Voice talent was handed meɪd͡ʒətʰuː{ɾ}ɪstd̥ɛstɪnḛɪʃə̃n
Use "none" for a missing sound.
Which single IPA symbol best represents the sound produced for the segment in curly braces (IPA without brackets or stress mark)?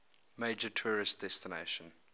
ɹ